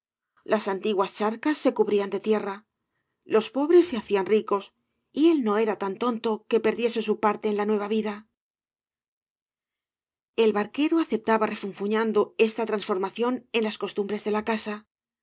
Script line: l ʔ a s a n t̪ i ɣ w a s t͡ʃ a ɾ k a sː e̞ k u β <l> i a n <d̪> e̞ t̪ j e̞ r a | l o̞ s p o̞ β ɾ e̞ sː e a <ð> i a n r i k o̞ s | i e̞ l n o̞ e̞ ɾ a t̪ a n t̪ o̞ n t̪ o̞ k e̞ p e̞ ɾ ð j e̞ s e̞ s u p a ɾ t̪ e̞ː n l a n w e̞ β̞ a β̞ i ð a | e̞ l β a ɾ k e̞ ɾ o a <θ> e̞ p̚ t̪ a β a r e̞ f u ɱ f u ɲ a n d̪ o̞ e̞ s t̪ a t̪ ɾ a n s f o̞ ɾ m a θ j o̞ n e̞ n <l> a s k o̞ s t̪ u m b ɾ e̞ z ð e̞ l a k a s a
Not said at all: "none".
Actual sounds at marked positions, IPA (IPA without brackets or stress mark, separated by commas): ɾ, d̪, θ, θ, l